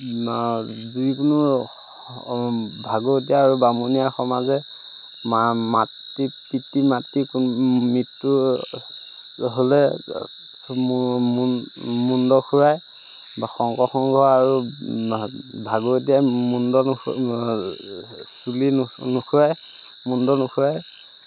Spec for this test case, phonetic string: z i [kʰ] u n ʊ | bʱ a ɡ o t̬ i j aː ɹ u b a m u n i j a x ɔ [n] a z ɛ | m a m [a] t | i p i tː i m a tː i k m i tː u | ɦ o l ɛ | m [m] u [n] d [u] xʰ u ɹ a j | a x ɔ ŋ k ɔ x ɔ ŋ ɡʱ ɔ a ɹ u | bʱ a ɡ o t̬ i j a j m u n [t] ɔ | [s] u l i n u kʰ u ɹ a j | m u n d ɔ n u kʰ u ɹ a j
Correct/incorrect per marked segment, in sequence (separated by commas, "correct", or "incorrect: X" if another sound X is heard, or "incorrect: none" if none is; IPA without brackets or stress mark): incorrect: k, incorrect: m, correct, correct, correct, incorrect: ɔ, incorrect: d, correct